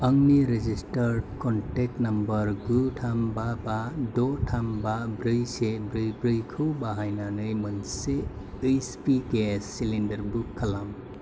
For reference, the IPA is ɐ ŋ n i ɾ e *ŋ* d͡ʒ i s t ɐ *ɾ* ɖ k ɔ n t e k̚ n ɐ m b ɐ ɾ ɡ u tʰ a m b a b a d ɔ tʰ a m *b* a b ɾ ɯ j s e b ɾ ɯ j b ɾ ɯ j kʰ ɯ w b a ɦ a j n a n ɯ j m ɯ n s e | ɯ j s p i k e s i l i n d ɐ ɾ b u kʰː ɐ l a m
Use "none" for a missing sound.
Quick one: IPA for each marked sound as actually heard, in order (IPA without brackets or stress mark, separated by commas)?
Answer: none, ɾ, b